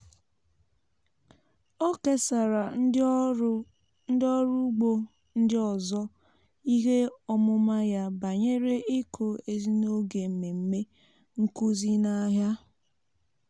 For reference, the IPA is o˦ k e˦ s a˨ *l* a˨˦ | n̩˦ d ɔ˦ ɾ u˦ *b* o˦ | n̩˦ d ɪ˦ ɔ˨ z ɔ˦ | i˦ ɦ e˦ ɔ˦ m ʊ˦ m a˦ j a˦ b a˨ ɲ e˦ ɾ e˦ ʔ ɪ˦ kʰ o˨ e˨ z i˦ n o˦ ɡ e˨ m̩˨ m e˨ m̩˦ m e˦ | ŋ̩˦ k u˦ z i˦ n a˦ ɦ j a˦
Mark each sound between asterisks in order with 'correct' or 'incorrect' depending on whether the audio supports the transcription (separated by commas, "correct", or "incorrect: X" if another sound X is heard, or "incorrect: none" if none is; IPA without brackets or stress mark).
incorrect: ɾ, incorrect: ɡ͡b